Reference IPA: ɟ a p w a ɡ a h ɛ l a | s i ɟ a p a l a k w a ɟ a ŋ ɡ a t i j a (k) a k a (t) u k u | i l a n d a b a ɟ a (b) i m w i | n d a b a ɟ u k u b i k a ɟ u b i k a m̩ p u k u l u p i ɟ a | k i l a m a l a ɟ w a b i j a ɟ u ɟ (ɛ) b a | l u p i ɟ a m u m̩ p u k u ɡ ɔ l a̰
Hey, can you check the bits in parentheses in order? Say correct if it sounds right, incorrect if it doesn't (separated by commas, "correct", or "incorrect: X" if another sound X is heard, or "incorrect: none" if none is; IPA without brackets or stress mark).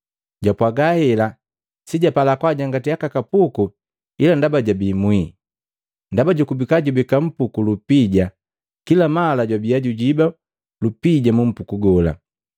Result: correct, incorrect: p, correct, incorrect: i